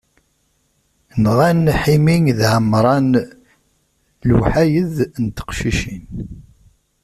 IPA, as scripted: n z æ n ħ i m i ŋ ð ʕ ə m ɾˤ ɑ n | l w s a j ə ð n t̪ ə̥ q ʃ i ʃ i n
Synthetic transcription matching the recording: n ʁ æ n ħ i m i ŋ ð ʕ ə m ɾˤ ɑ n | l w ħ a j ə ð n t̪ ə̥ q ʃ i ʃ i n